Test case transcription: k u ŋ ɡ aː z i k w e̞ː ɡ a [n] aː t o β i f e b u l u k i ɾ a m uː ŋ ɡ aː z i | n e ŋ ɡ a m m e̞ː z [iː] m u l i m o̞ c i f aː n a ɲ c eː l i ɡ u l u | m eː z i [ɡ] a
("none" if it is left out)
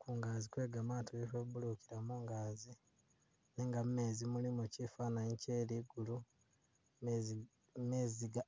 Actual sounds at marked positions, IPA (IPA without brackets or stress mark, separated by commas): m, i, ɡ